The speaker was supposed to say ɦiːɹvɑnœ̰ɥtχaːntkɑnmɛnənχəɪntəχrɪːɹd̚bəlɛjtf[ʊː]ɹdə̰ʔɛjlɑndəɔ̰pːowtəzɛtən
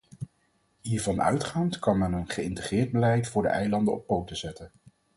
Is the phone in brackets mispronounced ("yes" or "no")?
no